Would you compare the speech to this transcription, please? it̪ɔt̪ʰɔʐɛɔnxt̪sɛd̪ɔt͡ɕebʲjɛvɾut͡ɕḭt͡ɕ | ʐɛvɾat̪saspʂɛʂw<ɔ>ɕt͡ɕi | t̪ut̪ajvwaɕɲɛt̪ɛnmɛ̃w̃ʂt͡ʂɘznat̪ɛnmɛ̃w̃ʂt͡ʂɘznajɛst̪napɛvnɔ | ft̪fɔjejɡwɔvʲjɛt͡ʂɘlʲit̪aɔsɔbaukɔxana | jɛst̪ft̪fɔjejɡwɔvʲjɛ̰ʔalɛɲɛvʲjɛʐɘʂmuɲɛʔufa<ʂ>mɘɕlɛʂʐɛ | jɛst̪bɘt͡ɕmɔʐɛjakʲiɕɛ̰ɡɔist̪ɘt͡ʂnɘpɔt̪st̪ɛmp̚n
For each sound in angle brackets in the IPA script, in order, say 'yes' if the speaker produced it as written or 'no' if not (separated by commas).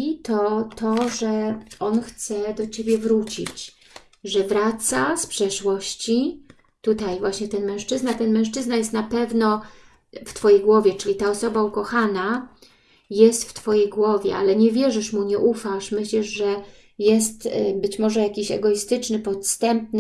yes, yes